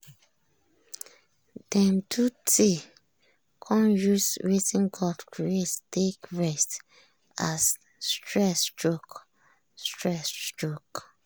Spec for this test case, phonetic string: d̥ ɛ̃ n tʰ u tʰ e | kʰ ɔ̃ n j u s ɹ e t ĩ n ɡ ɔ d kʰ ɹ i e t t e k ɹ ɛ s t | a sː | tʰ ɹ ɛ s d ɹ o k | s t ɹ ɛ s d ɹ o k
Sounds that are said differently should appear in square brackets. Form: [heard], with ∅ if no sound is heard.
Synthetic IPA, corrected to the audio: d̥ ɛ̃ [m] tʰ u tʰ e | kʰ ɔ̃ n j u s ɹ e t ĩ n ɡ ɔ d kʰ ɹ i e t t e k ɹ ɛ s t | a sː | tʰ ɹ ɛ s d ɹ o k | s t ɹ ɛ s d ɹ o k